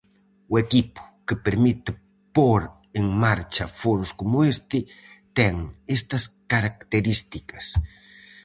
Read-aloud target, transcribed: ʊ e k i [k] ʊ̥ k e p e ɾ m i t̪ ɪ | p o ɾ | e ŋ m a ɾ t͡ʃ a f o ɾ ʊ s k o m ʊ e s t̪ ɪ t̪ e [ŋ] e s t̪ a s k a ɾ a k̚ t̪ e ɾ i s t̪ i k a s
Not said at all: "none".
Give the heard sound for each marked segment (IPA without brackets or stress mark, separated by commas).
p, ŋ